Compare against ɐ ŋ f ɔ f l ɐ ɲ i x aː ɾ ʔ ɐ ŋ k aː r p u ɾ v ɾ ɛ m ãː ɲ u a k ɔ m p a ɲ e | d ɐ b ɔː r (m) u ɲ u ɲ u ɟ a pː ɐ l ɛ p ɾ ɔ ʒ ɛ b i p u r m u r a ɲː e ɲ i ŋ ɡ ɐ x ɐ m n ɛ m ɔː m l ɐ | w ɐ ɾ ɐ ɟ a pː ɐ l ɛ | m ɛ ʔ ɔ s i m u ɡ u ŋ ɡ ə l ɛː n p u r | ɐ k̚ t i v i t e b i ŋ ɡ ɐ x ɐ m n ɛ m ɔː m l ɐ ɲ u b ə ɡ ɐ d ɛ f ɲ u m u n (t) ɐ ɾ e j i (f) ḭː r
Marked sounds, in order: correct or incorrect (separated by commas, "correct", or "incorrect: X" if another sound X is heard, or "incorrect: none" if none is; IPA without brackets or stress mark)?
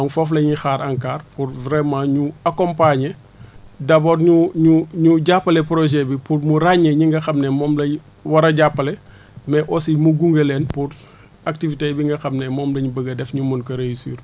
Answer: incorrect: ɲ, incorrect: k, incorrect: s